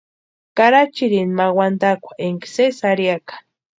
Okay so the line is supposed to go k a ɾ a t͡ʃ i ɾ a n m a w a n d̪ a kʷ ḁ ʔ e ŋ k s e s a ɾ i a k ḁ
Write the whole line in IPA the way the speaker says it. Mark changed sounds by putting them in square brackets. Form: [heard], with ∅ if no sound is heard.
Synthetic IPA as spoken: k a ɾ a t͡ʃ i ɾ [i] n m a w a n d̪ a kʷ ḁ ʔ e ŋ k s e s a ɾ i a k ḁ